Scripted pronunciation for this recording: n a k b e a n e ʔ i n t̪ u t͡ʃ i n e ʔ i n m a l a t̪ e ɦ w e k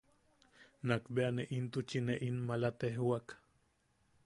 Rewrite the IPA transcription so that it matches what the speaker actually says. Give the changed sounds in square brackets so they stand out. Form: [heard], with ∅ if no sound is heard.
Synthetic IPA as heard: n a k b e a n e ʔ i n t̪ u t͡ʃ i n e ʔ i n m a l a t̪ e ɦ w [a] k